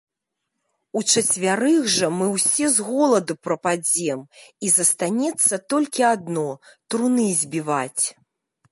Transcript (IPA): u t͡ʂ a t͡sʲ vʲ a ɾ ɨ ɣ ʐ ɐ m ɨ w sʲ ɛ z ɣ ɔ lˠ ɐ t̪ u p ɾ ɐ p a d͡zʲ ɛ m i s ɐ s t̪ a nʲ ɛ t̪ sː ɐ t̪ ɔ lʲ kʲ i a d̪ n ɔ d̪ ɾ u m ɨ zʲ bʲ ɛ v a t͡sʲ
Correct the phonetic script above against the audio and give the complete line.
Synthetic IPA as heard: u t͡ʂ ɐ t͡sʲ vʲ a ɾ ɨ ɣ ʐ ɐ m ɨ w sʲ ɛ z ɣ ɔ lˠ ɐ d̪ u p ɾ ɐ p a d͡zʲ ɛ m i z ɐ s t̪ a nʲ ɛ t̪ sː ɐ t̪ ɔ lʲ kʲ i a d̪ n ɔ t̪ ɾ u n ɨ zʲ bʲ i v a t͡sʲ

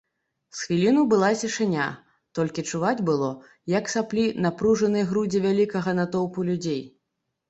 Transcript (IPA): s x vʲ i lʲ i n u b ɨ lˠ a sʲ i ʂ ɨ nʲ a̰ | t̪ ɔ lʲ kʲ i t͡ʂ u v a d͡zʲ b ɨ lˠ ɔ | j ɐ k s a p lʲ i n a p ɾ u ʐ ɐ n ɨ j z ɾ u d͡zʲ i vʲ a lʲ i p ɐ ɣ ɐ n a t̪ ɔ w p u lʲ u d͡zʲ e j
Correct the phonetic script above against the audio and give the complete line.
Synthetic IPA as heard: s x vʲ i lʲ i n u b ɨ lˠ a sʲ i ʂ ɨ nʲ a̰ | t̪ ɔ lʲ kʲ i t͡ʂ u v a d͡zʲ b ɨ lˠ ɔ | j ɐ k s a p lʲ i n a p ɾ u ʐ ɐ n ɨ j ɣ ɾ u d͡zʲ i vʲ a lʲ i k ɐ ɣ ɐ n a t̪ ɔ w p u lʲ u d͡zʲ e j

